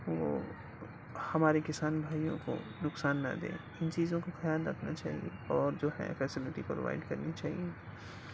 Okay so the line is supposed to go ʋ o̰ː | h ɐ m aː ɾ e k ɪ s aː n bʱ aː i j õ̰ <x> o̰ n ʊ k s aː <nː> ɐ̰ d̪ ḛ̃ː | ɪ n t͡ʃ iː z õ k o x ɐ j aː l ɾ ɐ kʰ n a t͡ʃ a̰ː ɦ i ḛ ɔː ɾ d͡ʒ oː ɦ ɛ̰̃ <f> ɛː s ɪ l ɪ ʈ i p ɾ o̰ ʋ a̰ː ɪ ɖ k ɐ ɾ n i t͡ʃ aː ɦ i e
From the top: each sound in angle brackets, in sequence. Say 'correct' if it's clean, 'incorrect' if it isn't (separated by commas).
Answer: incorrect, correct, correct